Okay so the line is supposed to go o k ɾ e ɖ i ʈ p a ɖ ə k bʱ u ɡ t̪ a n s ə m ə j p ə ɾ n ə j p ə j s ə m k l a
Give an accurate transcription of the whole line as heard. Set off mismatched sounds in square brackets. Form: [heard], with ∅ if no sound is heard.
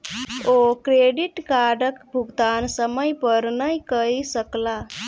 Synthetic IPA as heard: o k ɾ e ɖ i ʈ [k] a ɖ ə k bʱ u ɡ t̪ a n s ə m ə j p ə ɾ n ə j [k] ə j s ə [∅] k l a